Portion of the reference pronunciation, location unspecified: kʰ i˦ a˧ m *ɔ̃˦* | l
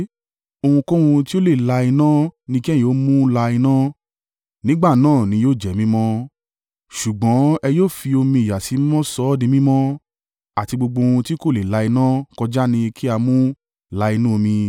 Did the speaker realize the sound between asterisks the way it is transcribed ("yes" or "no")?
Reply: no